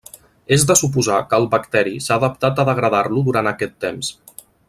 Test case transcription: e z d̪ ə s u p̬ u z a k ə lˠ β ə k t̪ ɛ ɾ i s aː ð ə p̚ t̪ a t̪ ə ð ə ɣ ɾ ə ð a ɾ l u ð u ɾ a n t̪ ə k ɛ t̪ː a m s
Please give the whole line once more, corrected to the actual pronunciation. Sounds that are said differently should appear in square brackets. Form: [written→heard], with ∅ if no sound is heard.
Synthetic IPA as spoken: e z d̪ ə s u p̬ u z a k ə lˠ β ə k t̪ ɛ ɾ i s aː ð ə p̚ t̪ a t̪ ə ð ə ɣ ɾ ə ð a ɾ l u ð u ɾ a n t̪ ə k ɛ t̪ː [a→e] m s

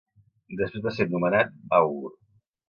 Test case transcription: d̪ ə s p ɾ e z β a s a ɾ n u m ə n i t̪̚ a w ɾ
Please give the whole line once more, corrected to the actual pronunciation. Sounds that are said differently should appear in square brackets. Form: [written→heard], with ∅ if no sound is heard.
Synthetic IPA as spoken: d̪ ə s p ɾ e z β a s [a→e] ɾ n u m ə n [i→a] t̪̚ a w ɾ

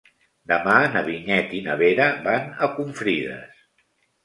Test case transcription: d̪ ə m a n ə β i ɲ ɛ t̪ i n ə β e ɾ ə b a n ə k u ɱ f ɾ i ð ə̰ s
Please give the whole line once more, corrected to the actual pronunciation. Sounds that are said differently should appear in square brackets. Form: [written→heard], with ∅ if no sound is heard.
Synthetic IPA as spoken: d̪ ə m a n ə β i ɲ ɛ t̪ i n ə β e ɾ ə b a n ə k u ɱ f ɾ i ð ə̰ s

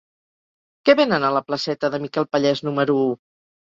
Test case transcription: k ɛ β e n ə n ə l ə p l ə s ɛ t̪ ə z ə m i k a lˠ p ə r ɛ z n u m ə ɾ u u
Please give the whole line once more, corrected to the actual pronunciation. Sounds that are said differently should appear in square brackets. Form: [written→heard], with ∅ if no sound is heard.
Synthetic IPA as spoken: k ɛ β e n ə n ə l ə p l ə s ɛ t̪ ə [z→ð] ə m i k [a→ɛ] lˠ p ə [r→ʎ] ɛ z n u m ə ɾ u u

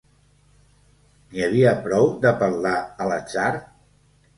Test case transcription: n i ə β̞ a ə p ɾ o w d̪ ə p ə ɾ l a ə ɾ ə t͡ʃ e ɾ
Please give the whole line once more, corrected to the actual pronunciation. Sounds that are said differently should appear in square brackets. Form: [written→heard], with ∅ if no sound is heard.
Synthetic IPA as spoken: n i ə β̞ [a→i] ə p ɾ [o→ɔ] w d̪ ə p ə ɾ l a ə [ɾ→l] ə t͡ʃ [e→a] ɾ

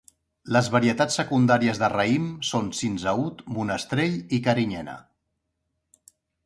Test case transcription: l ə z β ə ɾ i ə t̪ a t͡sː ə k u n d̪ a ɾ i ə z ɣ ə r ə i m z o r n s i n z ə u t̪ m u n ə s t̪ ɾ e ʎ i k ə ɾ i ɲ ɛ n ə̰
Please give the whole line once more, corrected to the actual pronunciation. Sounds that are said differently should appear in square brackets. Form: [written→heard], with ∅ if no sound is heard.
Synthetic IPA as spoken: l ə z β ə ɾ i ə t̪ a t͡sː ə k u n d̪ a ɾ i ə z [ɣ→ð] ə r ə i m [z→s] o [r→∅] n s i n z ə u t̪ m u n ə s t̪ ɾ e ʎ i k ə ɾ i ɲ ɛ n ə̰

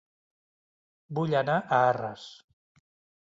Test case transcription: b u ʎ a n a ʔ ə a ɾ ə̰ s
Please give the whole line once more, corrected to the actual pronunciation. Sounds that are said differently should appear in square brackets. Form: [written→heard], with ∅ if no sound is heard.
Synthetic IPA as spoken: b u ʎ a n a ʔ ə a [ɾ→r] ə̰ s

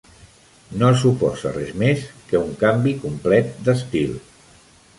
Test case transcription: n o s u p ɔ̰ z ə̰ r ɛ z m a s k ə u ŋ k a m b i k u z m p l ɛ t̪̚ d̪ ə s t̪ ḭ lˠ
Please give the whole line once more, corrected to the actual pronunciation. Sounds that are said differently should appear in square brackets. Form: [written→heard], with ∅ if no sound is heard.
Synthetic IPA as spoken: n o s u p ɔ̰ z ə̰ r ɛ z m [a→e] s k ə u ŋ k a m b i k u [z→∅] m p l ɛ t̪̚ d̪ ə s t̪ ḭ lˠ

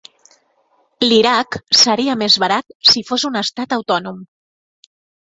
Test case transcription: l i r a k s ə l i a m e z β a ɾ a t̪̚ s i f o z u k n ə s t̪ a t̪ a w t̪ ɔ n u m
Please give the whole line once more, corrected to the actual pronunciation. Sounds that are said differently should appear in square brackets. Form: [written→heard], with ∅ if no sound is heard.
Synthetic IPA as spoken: l i [r→ɾ] a k s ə [l→ɾ] i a m e z β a ɾ a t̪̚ s i f o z u [k→∅] n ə s t̪ a t̪ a w t̪ ɔ n u m

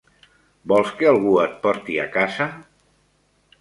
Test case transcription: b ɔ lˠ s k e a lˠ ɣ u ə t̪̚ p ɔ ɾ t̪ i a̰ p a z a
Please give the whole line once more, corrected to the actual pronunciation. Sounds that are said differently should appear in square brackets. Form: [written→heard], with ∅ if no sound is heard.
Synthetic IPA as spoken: b ɔ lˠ s k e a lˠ ɣ u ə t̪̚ p ɔ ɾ t̪ i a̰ [p→k] a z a

